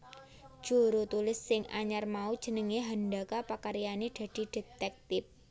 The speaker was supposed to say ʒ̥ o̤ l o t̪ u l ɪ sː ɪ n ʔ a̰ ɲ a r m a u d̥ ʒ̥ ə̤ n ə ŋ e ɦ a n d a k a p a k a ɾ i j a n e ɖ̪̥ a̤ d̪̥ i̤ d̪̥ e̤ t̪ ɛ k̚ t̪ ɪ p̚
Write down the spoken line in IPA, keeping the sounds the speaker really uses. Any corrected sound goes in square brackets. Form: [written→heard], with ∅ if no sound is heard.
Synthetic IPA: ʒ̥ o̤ [l→ɾ] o t̪ u l ɪ sː ɪ [n→ŋ] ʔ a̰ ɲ a r m a u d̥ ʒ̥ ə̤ n ə ŋ e ɦ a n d a k a p a k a ɾ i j a n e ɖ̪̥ a̤ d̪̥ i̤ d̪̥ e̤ t̪ ɛ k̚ t̪ ɪ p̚